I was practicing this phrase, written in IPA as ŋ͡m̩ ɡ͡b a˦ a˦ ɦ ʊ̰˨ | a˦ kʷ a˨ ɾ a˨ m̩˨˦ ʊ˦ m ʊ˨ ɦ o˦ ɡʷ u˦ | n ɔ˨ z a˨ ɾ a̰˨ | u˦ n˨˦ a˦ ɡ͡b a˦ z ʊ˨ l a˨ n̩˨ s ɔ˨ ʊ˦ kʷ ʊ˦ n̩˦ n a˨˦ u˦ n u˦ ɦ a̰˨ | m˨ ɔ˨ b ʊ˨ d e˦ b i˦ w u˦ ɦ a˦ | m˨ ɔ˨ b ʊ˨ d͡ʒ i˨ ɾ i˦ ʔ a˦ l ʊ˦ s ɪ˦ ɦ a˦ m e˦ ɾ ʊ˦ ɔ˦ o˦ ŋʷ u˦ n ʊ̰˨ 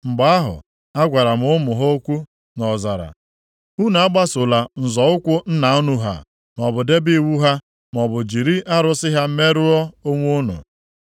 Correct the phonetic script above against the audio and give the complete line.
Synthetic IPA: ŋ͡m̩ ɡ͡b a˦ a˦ ɦ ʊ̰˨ | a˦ ɡʷ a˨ ɾ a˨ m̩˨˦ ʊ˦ m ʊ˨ ɦ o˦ kʷ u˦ | n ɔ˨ z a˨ ɾ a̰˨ | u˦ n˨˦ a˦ ɡ͡b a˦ s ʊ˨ l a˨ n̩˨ z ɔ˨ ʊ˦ kʷ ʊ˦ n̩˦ n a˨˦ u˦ n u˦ ɦ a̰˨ | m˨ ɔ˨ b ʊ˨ d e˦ b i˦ w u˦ ɦ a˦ | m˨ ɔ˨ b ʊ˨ d͡ʒ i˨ ɾ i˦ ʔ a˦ ɾ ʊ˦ s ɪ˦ ɦ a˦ m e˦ ɾ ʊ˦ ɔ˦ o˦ ŋʷ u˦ n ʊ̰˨